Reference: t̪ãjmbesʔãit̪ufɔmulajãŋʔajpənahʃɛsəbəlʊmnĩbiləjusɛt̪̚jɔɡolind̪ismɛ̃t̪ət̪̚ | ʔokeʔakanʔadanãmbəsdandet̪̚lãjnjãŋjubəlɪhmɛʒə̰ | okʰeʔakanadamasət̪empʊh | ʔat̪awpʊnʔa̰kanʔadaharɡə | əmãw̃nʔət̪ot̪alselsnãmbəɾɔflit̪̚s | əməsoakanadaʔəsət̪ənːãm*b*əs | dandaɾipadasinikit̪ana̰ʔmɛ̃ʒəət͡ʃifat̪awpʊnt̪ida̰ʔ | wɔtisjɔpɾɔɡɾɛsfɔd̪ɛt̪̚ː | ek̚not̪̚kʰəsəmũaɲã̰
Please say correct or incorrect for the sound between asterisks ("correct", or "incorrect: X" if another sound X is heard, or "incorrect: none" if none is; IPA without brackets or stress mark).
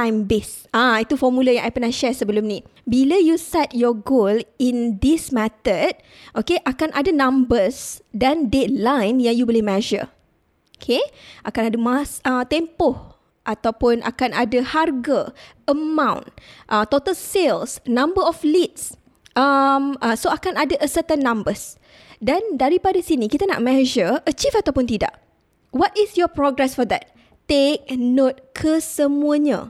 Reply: correct